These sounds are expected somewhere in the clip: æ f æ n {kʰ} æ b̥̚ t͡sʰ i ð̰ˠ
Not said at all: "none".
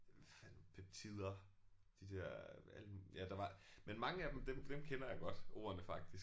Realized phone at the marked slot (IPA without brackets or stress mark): pʰ